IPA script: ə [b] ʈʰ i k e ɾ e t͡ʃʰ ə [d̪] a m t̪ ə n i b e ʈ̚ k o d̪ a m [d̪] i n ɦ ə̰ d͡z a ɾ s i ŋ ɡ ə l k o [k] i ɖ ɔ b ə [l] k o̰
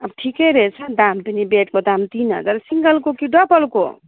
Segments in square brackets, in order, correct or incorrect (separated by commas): correct, correct, incorrect, correct, correct